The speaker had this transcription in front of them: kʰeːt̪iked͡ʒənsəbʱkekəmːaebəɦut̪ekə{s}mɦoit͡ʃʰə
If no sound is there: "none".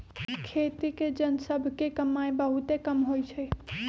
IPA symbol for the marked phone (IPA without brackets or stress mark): none